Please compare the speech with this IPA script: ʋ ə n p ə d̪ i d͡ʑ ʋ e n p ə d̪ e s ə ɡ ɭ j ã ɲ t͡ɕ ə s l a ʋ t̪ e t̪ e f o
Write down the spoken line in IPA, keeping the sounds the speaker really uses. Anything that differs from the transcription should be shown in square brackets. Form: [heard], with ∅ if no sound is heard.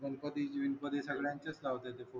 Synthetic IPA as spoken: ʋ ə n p ə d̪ i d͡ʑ ʋ [i] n p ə d̪ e s ə ɡ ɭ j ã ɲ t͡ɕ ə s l a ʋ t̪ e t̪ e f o